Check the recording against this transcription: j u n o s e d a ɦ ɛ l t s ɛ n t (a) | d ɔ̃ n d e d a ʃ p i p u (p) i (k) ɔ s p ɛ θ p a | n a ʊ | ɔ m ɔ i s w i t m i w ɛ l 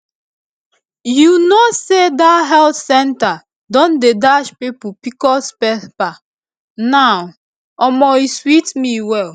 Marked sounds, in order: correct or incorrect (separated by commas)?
correct, correct, correct